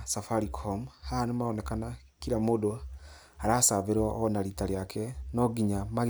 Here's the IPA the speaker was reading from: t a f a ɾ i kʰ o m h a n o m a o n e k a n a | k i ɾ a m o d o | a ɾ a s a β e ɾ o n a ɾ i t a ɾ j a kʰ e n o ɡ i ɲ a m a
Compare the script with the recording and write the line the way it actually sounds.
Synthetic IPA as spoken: s a f a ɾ i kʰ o m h a n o m a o n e k a n a | k i ɾ a m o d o | a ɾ a s a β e ɾ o n a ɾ i t a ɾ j a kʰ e n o ɡ i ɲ a m a